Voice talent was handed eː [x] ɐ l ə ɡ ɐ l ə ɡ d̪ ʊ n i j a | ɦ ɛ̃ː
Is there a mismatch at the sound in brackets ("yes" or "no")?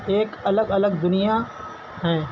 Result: yes